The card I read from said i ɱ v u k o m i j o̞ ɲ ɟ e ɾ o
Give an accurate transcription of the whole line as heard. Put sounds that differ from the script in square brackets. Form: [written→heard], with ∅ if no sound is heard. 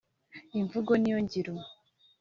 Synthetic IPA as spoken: i ɱ v u [k→ɡ] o [m→n] i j o̞ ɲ ɟ [e→i] ɾ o